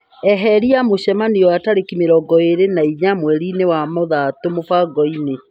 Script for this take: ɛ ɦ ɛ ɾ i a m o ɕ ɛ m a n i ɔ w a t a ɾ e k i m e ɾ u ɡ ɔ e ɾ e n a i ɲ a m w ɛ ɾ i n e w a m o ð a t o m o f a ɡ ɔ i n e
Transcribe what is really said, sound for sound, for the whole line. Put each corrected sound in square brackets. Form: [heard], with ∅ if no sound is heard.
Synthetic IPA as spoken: ɛ ɦ ɛ ɾ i a m o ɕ ɛ m a n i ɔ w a t a ɾ e k i m e ɾ [ɔ] ɡ ɔ e ɾ e n a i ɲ a m w ɛ ɾ i n e w a m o ð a t o m o f a ɡ ɔ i n e